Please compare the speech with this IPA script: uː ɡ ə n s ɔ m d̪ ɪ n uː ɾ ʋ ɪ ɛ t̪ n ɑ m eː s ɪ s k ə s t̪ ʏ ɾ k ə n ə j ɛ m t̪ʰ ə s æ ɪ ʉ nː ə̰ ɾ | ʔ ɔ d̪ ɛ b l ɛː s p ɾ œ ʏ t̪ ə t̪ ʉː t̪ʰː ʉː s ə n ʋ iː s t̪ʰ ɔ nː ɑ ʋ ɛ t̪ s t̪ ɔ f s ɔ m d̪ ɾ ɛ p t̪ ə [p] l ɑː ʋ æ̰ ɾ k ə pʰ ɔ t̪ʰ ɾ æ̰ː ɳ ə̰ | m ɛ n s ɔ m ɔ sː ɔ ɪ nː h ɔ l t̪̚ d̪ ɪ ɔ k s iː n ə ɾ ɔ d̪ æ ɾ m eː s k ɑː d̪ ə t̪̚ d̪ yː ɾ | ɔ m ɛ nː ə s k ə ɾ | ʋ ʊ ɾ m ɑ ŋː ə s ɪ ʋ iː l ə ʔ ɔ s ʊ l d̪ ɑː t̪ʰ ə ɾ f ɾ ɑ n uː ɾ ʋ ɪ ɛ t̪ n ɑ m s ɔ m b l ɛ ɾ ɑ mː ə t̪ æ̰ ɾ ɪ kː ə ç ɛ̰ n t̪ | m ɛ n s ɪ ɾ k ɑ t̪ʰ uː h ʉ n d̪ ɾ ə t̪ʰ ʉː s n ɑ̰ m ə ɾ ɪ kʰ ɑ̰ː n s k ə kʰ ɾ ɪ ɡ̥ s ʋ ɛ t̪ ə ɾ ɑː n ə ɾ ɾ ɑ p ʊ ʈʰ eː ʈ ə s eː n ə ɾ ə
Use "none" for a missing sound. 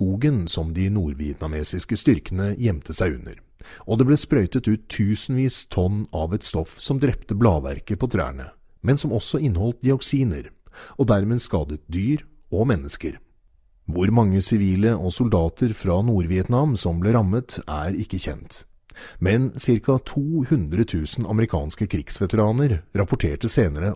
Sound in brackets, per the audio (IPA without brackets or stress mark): b